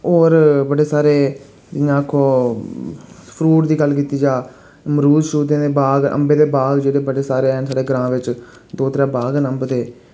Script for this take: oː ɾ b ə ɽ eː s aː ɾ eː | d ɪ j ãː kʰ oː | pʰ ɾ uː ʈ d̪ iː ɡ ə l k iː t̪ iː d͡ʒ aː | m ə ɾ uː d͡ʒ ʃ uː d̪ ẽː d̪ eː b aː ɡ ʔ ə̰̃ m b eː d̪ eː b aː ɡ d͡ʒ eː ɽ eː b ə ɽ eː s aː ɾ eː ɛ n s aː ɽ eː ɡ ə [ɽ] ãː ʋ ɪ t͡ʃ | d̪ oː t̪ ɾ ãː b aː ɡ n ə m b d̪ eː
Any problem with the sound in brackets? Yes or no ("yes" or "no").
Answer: yes